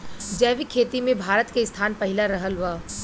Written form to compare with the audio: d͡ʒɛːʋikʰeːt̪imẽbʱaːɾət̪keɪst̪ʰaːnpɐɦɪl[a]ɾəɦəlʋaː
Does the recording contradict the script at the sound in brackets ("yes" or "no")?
no